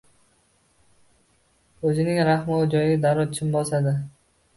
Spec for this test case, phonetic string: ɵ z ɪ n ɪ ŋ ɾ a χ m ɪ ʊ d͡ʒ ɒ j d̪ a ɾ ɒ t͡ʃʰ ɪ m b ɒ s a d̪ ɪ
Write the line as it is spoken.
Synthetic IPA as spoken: ɵ z ɪ n ɪ ŋ ɾ a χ m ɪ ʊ d͡ʒ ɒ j d̪ a ɾ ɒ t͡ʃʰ ɪ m b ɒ s a d̪ ɪ